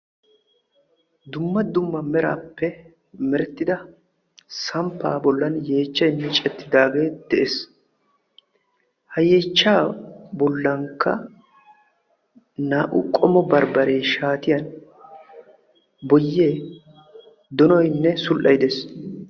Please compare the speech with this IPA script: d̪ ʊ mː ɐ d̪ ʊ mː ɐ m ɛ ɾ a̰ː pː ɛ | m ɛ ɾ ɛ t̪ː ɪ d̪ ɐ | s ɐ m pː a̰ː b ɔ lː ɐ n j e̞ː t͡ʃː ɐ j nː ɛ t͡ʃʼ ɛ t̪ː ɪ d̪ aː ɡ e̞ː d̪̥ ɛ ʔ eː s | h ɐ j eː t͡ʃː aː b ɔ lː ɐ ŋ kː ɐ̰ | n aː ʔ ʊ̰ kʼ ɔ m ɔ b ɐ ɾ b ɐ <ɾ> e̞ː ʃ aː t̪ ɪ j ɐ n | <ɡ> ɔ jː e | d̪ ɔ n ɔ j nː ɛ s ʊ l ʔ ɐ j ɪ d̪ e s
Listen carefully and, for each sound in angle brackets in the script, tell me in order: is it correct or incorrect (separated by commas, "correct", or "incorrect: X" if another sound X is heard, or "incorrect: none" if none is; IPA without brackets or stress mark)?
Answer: correct, incorrect: b